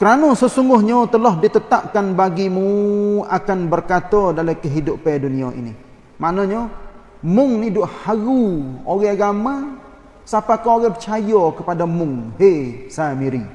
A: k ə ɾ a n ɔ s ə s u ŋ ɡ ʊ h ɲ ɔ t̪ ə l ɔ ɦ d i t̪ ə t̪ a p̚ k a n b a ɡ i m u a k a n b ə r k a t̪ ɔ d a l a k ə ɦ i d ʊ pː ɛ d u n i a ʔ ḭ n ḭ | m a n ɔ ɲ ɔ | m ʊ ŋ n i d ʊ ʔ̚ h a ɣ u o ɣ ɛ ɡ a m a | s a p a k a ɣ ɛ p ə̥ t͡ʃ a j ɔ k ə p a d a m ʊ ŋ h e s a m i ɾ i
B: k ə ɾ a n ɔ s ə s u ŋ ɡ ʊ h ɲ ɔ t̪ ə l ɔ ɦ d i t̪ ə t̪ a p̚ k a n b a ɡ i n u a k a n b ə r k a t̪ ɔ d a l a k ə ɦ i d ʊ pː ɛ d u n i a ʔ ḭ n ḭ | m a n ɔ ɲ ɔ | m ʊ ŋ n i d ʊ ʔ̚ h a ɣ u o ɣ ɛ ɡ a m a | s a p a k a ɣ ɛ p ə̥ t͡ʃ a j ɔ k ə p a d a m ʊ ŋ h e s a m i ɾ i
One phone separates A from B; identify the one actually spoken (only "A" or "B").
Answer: A